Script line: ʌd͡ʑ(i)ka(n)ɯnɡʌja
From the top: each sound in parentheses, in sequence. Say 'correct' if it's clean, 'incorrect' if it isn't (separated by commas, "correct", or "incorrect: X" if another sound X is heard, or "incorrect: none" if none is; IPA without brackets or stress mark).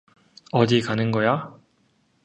correct, correct